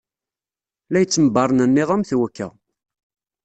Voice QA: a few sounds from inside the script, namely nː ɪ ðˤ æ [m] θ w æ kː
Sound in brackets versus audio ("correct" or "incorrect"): correct